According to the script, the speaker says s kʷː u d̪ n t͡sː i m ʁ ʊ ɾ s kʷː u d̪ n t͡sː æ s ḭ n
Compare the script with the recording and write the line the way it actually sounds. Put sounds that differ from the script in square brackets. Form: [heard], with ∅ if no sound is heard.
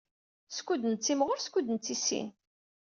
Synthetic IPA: s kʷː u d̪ n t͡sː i m ʁ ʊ ɾ s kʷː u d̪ n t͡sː [i] s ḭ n